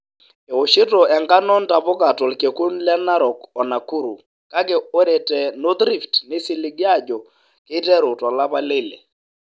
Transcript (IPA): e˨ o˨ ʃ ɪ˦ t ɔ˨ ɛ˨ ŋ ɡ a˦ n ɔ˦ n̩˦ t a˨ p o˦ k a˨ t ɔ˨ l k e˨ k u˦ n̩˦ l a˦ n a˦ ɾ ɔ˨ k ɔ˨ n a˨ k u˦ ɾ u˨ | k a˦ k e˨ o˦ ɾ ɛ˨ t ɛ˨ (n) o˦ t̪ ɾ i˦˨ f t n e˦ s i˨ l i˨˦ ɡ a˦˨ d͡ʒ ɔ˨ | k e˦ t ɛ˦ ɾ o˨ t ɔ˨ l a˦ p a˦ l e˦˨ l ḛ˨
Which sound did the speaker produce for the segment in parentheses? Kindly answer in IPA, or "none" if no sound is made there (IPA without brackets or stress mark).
n